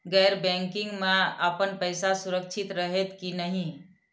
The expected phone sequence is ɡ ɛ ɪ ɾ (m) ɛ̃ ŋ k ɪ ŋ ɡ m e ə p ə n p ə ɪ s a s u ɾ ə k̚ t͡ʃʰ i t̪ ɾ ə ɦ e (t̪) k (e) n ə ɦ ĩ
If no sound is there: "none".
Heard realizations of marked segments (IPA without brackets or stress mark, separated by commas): b, t̪, i